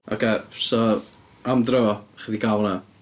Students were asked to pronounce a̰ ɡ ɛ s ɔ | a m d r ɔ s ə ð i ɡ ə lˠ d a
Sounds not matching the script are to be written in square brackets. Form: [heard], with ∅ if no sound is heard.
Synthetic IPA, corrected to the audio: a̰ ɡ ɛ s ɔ | a m d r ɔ [χ] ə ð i ɡ [a] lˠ [n] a